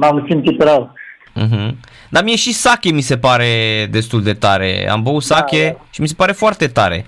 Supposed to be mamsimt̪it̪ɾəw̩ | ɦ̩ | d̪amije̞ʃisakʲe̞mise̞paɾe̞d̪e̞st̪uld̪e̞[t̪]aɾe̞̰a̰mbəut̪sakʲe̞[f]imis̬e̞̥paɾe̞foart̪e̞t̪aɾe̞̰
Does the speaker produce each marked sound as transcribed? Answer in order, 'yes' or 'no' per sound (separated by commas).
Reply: yes, no